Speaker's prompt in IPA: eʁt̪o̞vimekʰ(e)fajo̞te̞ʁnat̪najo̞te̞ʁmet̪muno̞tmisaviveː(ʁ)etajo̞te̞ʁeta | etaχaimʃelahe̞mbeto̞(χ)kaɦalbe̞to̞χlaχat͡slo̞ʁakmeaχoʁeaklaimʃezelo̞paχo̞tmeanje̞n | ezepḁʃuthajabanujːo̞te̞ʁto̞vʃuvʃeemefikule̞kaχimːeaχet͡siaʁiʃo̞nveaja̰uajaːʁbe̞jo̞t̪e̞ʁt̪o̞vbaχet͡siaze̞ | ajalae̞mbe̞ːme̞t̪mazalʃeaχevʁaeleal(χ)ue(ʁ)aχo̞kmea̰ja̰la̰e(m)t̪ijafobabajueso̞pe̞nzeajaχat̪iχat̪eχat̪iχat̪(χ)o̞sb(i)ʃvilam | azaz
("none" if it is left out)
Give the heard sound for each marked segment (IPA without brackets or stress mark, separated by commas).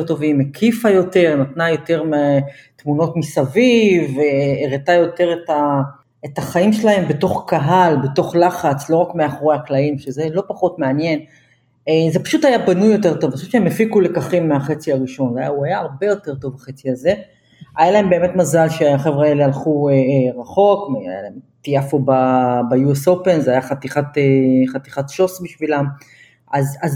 i, ʁ, χ, χ, ʁ, m, ʃ, i